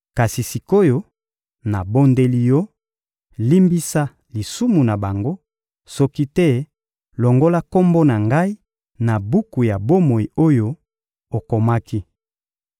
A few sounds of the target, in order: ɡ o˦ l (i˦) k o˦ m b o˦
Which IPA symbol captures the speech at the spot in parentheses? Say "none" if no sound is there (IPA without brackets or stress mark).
a˦